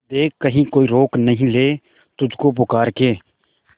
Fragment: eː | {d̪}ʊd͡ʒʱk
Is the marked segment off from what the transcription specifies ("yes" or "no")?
yes